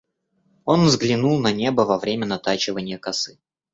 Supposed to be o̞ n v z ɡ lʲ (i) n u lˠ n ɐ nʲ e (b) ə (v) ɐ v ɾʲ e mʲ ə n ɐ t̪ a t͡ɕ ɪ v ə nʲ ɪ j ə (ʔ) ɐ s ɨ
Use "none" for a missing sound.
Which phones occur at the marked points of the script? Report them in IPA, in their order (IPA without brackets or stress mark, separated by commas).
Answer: ɪ, b, v, k